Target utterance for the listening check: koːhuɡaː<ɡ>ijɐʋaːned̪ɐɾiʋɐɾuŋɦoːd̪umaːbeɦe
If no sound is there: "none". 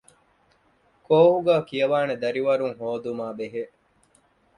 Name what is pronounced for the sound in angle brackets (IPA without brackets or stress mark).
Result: k